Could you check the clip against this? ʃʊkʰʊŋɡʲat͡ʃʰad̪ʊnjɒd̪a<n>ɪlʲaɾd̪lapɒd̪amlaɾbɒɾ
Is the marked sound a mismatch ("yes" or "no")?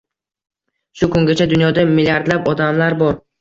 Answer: yes